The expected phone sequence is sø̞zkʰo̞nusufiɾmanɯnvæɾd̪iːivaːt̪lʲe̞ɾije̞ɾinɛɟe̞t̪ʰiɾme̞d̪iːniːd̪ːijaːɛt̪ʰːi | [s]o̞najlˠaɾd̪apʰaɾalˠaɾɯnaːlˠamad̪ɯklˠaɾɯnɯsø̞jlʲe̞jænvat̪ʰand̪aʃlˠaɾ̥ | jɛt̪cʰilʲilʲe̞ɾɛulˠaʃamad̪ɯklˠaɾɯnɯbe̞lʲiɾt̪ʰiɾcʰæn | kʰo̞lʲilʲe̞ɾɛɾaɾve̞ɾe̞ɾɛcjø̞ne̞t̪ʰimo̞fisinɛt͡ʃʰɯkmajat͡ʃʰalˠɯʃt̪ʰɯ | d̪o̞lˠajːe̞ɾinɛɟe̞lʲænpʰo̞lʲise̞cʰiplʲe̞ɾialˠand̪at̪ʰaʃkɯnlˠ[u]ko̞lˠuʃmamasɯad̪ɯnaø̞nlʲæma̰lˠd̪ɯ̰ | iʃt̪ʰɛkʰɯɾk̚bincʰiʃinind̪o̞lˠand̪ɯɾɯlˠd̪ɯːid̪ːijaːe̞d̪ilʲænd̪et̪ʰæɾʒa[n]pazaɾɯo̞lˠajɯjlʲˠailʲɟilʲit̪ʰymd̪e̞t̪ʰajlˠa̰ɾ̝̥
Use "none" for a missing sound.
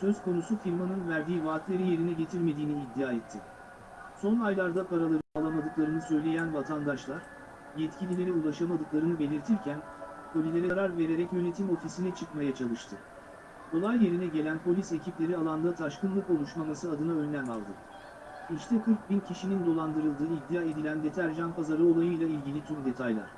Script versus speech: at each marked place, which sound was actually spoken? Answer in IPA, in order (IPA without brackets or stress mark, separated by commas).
s, ɯ, n